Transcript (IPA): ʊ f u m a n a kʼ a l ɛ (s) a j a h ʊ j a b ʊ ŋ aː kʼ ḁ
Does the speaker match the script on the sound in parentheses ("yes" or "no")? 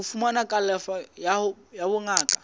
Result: no